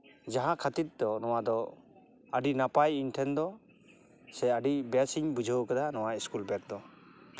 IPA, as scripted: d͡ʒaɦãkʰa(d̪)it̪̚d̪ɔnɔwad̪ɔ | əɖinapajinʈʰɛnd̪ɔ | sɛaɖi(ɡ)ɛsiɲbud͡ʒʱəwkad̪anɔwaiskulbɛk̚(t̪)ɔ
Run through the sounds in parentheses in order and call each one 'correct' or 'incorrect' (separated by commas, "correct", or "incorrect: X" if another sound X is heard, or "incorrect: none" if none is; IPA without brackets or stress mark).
incorrect: t̪, incorrect: b, incorrect: d̪